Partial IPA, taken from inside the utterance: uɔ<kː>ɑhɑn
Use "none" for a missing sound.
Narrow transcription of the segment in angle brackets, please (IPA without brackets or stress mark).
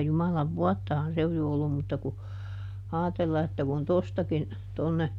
tː